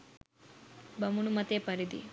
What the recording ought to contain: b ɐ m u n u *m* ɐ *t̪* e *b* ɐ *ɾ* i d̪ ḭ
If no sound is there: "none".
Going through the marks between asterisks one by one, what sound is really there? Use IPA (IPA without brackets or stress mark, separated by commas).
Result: m, t̪, p, ɾ